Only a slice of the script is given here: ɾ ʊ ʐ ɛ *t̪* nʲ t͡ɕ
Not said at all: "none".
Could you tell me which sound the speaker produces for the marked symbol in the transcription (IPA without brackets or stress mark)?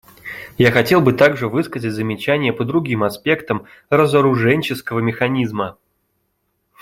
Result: none